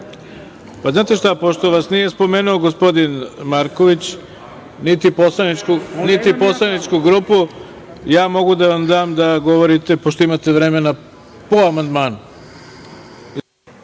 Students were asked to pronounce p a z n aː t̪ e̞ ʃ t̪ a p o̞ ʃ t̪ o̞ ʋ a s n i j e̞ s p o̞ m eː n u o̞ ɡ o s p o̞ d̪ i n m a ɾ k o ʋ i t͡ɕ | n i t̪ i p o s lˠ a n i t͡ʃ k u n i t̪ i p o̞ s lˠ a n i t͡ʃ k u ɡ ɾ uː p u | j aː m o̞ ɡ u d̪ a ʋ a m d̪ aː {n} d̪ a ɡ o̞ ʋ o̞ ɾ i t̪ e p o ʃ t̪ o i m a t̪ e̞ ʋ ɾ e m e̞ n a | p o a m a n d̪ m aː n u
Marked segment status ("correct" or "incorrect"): incorrect